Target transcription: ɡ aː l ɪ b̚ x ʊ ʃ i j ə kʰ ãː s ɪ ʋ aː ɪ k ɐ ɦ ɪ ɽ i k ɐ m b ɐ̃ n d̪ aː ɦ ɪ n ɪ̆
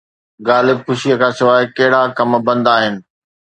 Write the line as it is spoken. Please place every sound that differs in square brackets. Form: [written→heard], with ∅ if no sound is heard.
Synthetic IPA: ɡ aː l ɪ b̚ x ʊ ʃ i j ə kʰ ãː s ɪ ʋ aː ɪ k ɐ ɦ ɪ ɽ [i→a] k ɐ m b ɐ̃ n d̪ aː ɦ ɪ n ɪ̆